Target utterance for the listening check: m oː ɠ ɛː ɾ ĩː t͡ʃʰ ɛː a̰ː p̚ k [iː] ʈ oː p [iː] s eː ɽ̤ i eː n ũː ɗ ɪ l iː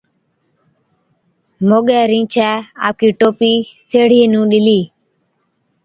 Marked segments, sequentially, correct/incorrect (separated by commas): correct, correct